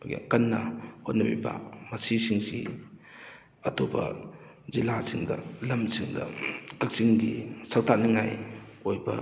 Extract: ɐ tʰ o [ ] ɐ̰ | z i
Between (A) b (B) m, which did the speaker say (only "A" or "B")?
A